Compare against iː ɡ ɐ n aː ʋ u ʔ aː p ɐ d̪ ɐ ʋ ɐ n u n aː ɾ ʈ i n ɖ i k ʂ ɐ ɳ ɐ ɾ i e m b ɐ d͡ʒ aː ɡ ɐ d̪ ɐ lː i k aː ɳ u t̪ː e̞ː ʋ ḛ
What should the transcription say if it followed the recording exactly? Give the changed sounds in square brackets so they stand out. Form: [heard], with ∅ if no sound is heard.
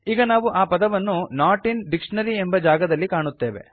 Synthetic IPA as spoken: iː ɡ ɐ n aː ʋ u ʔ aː p ɐ d̪ ɐ ʋ ɐ [nː] u n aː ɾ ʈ i n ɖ i k ʂ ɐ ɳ ɐ ɾ i e m b ɐ d͡ʒ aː ɡ ɐ d̪ ɐ lː i k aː ɳ u t̪ː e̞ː ʋ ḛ